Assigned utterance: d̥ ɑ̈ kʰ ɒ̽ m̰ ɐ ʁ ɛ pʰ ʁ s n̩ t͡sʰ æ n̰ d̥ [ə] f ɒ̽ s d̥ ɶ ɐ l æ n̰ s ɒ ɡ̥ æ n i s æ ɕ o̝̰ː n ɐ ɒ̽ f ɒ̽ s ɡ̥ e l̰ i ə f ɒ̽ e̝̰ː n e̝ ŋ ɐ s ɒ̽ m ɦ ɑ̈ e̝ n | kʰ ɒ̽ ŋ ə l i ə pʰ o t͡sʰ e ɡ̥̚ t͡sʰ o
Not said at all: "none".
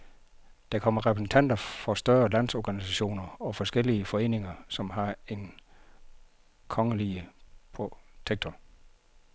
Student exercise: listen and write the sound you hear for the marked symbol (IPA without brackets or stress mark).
ɐ